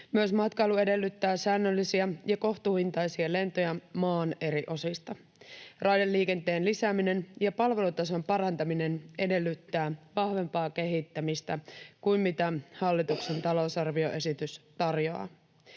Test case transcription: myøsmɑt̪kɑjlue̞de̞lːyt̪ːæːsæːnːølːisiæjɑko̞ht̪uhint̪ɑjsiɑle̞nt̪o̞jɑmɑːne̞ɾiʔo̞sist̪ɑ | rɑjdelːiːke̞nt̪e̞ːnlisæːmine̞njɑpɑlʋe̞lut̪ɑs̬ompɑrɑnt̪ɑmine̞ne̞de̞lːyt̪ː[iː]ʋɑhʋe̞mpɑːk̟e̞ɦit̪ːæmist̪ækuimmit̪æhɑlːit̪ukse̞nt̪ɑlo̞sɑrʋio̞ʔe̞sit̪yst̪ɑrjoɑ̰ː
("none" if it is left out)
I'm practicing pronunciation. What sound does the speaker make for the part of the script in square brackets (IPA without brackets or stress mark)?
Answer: æː